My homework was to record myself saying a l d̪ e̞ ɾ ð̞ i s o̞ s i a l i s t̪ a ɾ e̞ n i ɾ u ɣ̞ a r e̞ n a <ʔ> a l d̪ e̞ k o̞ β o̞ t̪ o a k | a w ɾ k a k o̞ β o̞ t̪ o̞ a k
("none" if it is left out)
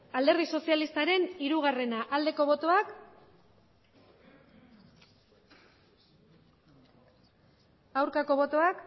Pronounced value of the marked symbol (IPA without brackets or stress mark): ʔ